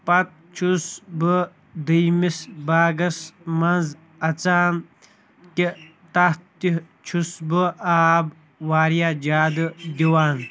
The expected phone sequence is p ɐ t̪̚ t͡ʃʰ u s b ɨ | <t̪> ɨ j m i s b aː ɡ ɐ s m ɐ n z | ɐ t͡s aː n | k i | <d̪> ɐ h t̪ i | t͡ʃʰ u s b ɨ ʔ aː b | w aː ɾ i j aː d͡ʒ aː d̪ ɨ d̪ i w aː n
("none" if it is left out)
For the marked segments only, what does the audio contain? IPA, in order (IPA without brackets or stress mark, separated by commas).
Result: d̪, t̪